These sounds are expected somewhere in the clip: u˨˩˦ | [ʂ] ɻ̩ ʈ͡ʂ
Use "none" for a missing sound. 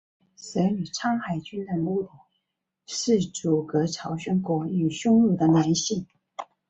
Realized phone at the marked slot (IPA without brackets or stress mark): ʂ